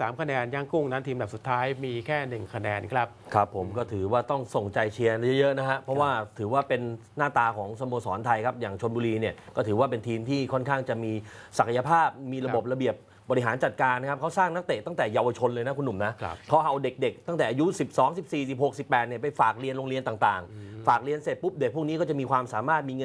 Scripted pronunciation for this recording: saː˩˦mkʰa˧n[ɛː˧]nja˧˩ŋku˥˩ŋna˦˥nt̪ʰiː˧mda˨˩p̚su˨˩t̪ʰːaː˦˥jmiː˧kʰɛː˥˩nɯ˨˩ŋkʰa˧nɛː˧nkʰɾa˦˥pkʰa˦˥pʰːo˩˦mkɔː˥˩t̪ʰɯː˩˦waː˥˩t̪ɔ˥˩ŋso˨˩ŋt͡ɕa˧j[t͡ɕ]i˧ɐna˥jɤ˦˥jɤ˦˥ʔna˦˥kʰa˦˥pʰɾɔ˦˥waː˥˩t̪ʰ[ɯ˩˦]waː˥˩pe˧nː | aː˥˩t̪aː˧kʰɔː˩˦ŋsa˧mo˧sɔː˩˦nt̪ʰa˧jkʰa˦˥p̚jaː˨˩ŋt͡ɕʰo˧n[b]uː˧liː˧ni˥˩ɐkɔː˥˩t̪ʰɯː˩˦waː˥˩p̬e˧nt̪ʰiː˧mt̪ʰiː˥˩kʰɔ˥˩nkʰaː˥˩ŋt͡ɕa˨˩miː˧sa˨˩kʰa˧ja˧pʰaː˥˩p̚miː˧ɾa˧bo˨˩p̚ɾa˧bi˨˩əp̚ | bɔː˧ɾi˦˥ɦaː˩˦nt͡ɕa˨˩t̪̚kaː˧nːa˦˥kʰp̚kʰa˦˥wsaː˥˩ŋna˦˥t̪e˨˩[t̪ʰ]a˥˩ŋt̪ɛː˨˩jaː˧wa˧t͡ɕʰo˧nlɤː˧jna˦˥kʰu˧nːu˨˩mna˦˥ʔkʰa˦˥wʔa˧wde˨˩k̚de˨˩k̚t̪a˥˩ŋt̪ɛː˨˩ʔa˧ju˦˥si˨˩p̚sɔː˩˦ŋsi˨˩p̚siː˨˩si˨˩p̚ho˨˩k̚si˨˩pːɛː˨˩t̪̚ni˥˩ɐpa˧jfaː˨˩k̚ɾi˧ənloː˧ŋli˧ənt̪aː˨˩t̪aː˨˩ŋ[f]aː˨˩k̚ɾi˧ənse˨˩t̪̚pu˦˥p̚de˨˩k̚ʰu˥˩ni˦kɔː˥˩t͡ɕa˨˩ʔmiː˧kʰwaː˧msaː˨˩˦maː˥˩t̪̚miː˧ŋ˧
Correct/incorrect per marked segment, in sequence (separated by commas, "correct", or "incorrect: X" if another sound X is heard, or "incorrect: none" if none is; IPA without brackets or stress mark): correct, incorrect: t͡ɕʰ, incorrect: ɯː˩˦, correct, incorrect: t̪, correct